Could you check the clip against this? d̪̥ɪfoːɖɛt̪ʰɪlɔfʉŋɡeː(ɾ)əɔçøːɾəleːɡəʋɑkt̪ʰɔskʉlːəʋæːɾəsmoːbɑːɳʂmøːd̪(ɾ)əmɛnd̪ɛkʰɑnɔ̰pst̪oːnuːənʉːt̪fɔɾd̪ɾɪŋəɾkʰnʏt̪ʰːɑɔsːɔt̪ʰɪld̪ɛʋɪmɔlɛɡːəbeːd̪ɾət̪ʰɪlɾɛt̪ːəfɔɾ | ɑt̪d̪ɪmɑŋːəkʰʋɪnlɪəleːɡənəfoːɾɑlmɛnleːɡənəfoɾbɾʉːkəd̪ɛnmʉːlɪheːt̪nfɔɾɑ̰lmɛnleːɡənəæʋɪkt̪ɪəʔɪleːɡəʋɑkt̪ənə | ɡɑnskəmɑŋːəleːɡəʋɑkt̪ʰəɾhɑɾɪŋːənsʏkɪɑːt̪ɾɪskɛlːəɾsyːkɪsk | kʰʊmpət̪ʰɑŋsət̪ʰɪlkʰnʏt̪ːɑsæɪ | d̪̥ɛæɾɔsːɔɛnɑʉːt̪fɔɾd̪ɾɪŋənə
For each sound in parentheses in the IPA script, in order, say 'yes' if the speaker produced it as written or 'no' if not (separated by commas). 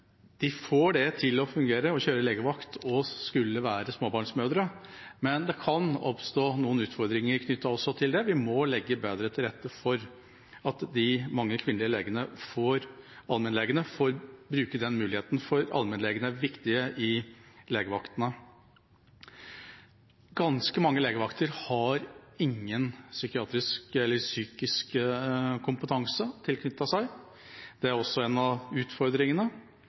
yes, yes